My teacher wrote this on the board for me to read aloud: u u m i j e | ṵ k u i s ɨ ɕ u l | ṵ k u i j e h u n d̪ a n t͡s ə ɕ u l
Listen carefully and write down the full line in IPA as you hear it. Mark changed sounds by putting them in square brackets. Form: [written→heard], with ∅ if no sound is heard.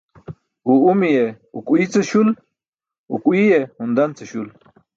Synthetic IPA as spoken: u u m i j e | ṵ k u i [s→t͡s] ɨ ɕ u l | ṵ k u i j e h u n d̪ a n t͡s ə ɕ u l

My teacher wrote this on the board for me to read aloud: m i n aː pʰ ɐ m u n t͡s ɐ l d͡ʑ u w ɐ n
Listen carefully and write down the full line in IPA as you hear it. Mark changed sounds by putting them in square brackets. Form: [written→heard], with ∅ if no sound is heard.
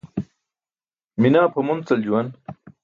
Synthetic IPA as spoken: m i n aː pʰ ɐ m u n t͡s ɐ l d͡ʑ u w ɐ n

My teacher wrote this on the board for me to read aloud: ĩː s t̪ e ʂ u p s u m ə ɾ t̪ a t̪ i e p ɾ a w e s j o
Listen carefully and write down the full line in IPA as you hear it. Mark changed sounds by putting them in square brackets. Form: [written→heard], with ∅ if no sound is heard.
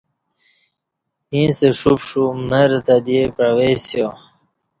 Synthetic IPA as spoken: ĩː s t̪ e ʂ u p [s→ʂ] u m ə ɾ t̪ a [t̪→d̪] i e p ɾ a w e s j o

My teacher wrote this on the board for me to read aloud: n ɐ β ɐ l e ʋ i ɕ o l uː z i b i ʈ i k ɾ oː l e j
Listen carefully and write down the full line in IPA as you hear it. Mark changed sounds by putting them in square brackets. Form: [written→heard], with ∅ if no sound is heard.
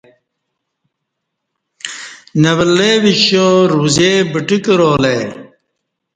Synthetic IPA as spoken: n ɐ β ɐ l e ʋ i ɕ o [l→ɾ] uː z [i→e] b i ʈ i k ɾ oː l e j

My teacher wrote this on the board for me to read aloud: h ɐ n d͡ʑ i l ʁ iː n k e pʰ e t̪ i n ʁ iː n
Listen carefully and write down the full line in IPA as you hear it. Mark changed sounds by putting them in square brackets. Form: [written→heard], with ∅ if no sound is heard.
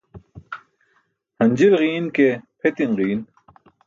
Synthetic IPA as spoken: h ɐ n d͡ʑ i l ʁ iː n k e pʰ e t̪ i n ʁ iː n

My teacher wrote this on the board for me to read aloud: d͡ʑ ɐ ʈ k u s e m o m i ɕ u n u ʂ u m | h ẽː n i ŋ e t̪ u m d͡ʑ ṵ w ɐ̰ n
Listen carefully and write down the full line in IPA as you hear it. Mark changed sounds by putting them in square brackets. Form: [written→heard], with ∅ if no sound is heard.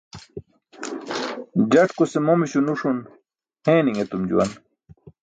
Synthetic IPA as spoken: d͡ʑ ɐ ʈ k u s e m o m i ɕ u n u ʂ u [m→n] | h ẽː n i ŋ e t̪ u m d͡ʑ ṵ w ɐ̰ n

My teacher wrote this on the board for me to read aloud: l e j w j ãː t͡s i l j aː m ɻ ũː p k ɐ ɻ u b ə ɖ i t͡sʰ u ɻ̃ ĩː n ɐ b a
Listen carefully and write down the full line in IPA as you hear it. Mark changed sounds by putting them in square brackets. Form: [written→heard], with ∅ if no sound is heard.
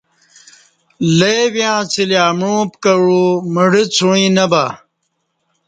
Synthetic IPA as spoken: l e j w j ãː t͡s i l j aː m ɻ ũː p k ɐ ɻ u [b→m] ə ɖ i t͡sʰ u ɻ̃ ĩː n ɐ b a

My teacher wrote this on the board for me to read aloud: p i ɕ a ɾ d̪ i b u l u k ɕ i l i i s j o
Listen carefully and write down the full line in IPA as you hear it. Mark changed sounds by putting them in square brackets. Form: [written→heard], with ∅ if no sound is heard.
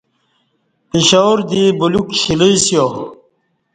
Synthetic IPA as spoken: p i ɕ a ɾ d̪ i b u l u k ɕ i l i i s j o

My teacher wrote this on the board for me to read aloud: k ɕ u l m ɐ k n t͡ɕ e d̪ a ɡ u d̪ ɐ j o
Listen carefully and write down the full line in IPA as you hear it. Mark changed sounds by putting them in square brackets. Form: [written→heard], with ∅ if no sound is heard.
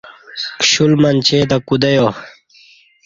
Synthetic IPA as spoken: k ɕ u l m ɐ [k→∅] n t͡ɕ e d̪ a [ɡ→k] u d̪ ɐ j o

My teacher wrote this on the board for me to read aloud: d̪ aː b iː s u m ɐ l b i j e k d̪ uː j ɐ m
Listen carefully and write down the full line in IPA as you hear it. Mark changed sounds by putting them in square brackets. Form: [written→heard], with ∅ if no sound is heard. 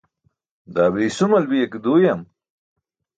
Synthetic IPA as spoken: d̪ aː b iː s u m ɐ l b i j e k d̪ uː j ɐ m

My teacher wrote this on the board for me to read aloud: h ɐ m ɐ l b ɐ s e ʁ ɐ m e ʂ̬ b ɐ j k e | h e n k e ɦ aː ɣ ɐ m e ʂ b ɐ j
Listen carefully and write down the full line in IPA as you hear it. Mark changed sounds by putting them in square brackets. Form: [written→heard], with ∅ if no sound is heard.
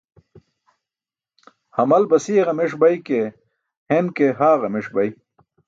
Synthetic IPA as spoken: h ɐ m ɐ l b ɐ s [e→i] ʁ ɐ m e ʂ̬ b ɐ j k e | h e n k e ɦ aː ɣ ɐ m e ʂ b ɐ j

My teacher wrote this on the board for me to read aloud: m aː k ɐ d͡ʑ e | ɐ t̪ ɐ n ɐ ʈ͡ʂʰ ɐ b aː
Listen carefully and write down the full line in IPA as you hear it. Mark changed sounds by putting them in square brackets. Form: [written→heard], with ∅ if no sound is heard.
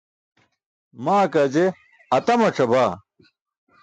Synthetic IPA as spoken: m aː k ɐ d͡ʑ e | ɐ t̪ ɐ [n→m] ɐ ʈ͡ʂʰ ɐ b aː

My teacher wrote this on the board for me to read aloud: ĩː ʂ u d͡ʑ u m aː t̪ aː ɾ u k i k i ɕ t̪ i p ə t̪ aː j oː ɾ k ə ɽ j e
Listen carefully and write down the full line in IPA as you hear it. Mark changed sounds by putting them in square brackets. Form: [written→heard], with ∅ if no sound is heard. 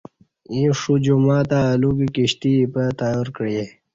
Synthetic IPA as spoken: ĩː ʂ u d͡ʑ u m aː t̪ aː [ɾ→l] u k i k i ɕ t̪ i p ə t̪ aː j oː ɾ k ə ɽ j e

